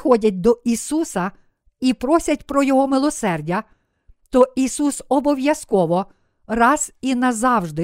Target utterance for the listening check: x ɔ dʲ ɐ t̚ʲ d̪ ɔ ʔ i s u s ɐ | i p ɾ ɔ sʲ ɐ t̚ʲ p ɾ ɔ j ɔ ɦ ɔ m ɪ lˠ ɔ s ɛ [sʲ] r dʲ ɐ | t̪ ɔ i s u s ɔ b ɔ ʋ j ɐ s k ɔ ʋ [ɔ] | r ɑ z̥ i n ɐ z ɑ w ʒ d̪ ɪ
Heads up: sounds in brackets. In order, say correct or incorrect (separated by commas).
incorrect, correct